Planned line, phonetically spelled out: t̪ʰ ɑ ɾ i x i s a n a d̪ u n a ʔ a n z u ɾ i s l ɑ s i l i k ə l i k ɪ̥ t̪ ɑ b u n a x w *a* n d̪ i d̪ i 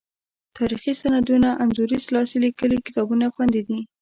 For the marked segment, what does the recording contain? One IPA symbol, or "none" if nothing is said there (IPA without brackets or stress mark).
a